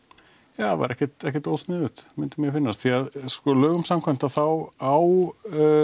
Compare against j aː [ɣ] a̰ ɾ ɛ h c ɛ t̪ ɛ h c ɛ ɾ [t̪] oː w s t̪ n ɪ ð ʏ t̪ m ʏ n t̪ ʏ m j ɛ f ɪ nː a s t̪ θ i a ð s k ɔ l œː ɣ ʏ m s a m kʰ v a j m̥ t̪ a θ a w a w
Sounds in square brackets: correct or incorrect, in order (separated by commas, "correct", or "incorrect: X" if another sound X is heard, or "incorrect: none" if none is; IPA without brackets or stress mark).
incorrect: v, correct